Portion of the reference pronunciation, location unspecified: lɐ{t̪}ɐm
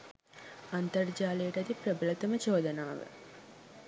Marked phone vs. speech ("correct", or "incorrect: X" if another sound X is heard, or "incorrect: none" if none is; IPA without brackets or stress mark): correct